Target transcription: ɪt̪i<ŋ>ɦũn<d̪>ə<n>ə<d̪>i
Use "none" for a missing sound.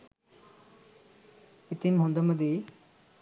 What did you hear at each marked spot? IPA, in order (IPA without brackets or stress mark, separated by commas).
m, d̪, m, d̪